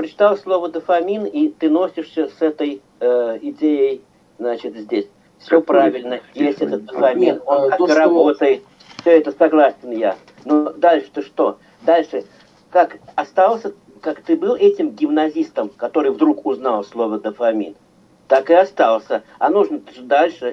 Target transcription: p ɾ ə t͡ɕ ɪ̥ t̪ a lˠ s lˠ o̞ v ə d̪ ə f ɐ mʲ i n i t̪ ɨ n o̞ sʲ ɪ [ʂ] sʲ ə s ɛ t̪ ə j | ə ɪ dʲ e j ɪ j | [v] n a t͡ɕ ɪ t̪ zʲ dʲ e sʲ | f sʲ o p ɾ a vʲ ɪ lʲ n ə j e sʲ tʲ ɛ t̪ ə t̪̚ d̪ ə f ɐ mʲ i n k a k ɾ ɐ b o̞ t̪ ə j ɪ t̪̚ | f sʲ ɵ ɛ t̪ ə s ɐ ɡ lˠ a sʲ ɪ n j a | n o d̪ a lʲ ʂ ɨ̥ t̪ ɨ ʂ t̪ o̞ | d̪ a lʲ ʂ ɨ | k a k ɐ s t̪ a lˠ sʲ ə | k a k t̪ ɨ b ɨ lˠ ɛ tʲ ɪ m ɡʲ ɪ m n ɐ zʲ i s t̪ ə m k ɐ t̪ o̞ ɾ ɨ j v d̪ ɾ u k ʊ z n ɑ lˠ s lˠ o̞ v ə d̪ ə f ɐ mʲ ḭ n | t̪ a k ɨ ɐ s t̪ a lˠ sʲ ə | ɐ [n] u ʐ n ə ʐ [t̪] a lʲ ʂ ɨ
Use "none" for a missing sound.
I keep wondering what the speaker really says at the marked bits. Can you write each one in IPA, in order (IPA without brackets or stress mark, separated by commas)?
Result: ʂ, z, n, d̪